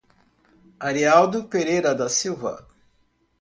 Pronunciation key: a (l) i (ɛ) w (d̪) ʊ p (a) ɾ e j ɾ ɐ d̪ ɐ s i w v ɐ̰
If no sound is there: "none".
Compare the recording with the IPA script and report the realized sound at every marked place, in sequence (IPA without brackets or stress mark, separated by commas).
ɾ, a, d̪, e